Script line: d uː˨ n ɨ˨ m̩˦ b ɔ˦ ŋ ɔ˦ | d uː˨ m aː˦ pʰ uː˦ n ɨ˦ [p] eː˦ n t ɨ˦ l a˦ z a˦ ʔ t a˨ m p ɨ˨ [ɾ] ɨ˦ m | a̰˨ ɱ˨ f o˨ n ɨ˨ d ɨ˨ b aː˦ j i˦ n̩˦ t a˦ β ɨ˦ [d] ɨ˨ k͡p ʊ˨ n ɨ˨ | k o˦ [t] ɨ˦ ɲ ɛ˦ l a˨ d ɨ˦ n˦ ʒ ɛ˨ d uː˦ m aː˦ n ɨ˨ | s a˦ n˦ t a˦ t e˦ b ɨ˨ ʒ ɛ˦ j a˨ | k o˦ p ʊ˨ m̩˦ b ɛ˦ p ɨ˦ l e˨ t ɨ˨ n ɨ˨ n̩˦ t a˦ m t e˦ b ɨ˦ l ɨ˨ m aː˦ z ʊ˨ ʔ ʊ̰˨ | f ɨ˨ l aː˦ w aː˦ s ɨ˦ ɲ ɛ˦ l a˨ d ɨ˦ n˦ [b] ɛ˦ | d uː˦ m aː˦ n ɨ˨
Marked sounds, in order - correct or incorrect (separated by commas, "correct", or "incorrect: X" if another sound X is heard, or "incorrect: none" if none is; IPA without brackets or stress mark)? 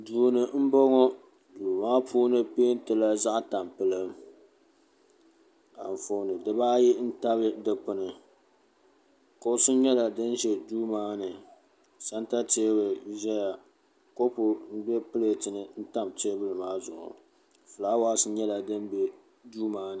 correct, incorrect: l, correct, incorrect: s, correct